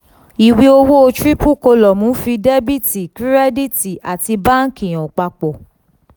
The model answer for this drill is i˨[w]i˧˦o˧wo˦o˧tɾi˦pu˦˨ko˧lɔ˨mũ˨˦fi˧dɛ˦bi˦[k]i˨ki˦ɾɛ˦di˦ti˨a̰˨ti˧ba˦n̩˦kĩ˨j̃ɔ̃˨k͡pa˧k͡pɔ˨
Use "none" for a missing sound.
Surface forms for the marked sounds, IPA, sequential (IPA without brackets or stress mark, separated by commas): w, t